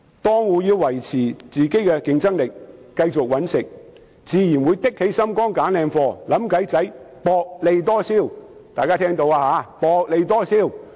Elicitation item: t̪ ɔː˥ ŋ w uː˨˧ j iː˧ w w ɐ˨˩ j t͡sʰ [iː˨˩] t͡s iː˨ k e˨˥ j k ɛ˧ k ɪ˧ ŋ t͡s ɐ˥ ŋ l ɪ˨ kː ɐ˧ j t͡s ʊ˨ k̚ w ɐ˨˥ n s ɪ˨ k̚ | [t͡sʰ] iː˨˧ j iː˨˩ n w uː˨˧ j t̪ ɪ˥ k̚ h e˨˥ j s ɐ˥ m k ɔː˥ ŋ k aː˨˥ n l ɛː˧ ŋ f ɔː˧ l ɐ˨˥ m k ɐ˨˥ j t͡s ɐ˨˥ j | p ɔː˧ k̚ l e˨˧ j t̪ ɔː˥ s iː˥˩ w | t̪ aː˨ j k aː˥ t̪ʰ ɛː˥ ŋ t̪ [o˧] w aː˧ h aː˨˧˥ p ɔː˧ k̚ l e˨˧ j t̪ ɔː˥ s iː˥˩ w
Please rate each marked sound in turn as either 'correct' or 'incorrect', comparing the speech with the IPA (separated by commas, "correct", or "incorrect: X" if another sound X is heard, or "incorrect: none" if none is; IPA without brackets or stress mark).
correct, incorrect: t͡s, correct